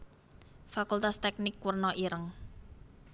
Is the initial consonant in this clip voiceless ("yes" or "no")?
yes